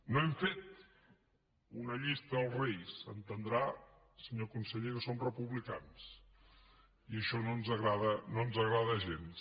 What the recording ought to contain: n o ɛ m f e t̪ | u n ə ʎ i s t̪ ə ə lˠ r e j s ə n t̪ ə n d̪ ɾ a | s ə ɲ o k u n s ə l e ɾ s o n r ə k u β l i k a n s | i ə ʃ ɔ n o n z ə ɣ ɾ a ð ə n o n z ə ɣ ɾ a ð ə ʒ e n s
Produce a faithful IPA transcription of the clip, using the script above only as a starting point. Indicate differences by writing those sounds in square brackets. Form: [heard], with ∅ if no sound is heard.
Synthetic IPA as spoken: n o ɛ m f e t̪ | u n ə ʎ i s t̪ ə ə lˠ r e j s ə n t̪ ə n d̪ ɾ a | s ə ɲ o k u n s ə [ʎ] e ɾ s o [m] r ə [p] u β l i k a n s | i ə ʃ ɔ n o n z ə ɣ ɾ a ð ə n o n z ə ɣ ɾ a ð ə ʒ e n s